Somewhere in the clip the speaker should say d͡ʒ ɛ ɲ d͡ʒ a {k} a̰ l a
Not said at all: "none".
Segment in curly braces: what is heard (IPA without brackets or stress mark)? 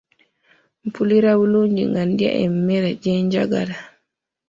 ɡ